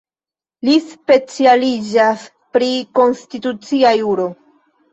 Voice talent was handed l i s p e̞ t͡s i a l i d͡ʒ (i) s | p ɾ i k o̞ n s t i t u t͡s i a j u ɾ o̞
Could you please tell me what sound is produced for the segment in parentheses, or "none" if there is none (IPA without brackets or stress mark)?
a